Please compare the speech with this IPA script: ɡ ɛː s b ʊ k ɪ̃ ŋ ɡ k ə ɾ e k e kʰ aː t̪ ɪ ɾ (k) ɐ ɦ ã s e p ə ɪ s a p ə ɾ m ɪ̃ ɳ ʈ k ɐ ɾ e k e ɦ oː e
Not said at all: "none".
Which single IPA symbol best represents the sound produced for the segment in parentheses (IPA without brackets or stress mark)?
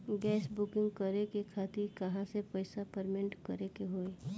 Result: k